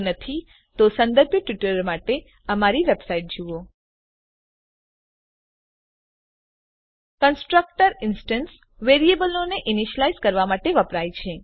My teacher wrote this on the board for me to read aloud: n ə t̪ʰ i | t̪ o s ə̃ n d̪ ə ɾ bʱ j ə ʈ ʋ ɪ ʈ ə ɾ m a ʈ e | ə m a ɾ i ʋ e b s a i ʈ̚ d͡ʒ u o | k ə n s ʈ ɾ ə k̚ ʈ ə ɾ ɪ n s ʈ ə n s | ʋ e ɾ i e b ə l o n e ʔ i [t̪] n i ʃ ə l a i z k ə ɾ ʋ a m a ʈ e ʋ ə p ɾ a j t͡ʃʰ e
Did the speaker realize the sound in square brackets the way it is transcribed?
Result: no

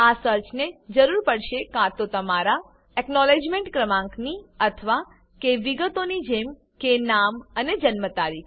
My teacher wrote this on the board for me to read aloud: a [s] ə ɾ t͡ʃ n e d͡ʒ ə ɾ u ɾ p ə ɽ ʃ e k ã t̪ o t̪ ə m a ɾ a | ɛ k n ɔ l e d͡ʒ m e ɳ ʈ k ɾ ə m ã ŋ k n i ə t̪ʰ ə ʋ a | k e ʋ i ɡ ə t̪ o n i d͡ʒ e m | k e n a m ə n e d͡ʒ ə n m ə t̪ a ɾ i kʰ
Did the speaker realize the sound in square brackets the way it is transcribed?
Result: yes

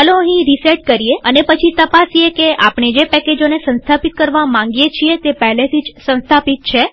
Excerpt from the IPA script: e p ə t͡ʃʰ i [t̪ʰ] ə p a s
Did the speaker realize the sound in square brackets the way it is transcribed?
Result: no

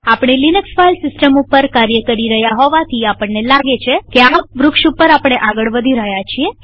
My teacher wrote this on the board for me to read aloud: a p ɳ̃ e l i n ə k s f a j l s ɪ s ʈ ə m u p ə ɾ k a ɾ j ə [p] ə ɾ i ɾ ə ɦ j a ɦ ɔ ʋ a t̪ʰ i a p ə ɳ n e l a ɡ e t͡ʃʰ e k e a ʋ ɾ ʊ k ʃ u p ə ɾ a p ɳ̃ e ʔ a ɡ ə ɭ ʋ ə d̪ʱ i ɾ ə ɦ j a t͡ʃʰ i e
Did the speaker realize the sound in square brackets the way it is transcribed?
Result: no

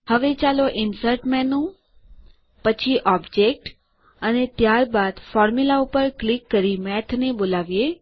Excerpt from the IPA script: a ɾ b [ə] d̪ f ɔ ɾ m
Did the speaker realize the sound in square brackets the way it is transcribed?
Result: no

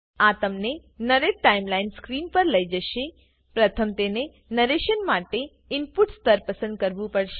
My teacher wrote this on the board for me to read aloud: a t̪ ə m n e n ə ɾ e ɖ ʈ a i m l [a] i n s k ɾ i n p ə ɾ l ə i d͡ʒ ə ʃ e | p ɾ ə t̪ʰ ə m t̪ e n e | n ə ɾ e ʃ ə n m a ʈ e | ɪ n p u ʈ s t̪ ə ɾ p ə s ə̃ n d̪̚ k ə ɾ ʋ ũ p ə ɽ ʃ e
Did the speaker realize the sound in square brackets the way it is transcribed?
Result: yes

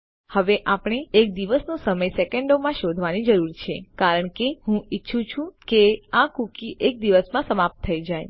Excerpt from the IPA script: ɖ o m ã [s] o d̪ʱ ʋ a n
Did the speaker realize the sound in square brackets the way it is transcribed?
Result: no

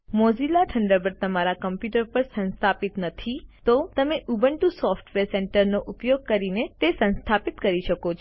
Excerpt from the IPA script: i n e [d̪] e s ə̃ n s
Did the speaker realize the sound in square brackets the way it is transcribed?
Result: no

